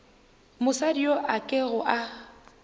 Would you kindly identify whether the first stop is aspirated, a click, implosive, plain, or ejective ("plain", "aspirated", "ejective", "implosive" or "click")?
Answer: plain